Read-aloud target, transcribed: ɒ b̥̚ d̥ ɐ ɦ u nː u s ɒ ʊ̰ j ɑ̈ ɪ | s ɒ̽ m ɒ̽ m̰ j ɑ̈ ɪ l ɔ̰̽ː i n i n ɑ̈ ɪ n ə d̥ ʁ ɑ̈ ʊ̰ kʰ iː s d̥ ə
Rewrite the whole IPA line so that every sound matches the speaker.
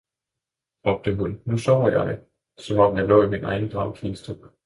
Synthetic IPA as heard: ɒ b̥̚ d̥ ə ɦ u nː u s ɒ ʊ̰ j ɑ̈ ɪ | s ɒ̽ m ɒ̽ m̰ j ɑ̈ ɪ l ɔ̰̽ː i m i n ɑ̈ ɪ n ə d̥ ʁ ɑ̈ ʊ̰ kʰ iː s d̥ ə